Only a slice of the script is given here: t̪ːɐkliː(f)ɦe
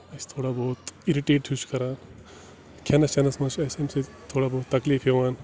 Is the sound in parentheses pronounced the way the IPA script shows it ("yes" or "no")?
yes